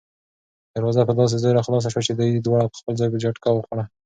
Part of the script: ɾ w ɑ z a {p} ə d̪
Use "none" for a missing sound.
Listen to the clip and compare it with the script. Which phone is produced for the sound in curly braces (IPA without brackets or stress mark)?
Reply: p